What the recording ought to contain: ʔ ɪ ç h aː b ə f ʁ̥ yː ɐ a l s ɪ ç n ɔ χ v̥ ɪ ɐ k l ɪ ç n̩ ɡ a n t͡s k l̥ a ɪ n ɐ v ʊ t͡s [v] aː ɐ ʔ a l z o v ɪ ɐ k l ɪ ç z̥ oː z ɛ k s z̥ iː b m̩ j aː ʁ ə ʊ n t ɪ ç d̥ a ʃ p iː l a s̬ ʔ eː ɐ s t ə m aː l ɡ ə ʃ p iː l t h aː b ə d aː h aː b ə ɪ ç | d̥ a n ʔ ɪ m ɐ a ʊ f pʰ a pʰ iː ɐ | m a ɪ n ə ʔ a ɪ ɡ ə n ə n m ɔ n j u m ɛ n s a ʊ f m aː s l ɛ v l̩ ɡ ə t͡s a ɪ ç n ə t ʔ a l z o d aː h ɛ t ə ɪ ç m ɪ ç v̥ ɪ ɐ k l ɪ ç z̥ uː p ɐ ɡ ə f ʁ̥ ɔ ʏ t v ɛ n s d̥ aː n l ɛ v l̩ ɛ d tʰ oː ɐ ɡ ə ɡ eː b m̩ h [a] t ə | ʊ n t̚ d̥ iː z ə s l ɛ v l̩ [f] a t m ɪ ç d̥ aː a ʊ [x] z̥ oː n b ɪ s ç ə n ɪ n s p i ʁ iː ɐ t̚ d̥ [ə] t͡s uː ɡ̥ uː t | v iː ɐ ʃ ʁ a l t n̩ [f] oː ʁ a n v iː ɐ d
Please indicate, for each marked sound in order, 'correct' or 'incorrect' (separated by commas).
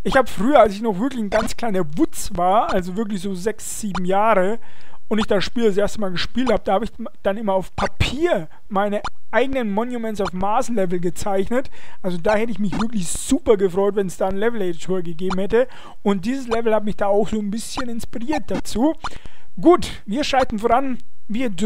correct, incorrect, incorrect, correct, incorrect, correct